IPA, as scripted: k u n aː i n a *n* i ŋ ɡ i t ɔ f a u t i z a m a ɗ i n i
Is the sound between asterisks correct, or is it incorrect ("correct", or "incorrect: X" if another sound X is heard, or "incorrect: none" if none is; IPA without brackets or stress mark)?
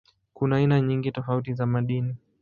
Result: incorrect: ɲ